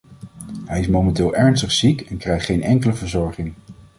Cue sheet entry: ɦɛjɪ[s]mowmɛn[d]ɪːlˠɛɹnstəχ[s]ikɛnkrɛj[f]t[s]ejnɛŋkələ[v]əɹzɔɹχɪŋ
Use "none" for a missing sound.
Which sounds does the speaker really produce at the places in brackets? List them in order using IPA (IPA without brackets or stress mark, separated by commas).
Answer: s, t, s, χ, χ, v